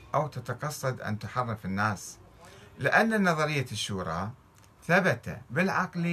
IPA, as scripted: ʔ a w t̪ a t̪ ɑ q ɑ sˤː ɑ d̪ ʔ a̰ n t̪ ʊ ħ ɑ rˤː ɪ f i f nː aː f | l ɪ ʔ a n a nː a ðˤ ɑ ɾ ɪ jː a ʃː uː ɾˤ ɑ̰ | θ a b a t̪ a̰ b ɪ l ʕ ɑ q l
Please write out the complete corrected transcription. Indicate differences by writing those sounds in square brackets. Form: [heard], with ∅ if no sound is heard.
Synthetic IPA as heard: ʔ a w t̪ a t̪ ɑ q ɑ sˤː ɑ d̪ ʔ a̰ n t̪ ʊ ħ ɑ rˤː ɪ f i [∅] nː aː [s] | l ɪ ʔ a [nː] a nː [ɑ] ðˤ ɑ ɾ ɪ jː a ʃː uː ɾˤ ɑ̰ | θ a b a t̪ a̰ b ɪ l ʕ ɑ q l